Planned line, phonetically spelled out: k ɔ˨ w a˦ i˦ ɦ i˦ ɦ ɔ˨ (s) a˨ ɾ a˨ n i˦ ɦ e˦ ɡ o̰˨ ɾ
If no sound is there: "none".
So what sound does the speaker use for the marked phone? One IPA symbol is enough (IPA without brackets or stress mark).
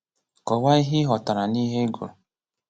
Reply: t